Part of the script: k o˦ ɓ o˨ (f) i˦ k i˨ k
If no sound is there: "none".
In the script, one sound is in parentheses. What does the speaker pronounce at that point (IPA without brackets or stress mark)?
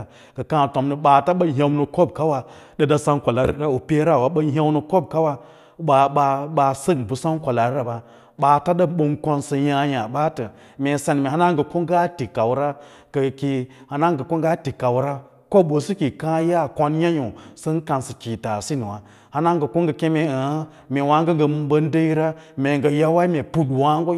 s